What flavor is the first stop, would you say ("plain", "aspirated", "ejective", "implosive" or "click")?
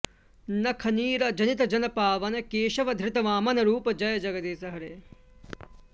aspirated